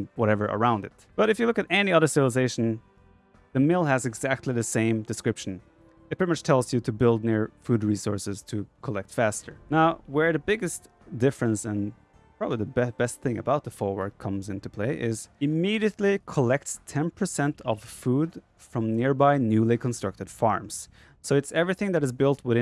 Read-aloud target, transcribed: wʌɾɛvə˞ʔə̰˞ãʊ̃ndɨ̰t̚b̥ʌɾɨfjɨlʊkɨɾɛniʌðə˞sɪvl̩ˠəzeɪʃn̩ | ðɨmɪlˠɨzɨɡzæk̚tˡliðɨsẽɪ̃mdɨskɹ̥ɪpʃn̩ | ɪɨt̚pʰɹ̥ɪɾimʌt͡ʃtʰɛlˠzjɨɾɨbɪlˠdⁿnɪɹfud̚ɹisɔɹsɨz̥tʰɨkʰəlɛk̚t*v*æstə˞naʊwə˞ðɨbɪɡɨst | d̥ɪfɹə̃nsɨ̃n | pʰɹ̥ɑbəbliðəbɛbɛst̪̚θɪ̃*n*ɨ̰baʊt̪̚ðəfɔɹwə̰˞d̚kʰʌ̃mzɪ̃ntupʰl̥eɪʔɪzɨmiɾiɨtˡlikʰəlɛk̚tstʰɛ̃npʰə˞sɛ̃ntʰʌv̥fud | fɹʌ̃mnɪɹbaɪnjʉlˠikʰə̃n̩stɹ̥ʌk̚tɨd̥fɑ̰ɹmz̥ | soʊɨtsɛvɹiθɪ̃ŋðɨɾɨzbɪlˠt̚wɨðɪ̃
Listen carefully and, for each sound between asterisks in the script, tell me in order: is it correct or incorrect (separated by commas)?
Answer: incorrect, incorrect